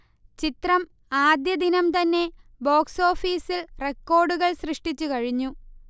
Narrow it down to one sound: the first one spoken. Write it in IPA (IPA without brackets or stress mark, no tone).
t͡ɕ